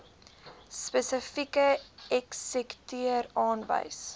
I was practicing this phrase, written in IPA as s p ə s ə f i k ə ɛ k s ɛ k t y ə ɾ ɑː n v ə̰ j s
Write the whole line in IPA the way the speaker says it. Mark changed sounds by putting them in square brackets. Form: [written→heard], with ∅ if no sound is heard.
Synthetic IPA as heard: s p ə s ə f i k ə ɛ k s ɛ k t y ə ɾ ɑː n v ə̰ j s